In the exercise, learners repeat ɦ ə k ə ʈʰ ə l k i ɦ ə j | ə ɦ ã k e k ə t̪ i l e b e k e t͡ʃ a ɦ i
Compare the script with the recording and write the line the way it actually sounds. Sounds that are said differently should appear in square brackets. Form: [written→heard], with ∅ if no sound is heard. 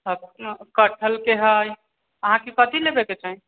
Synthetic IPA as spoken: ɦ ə k ə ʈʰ ə l k [i→e] ɦ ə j | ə ɦ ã k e k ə t̪ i l e b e k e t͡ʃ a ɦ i